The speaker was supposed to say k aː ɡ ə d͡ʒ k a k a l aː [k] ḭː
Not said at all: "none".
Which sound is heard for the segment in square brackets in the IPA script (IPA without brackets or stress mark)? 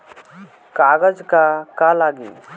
ɡ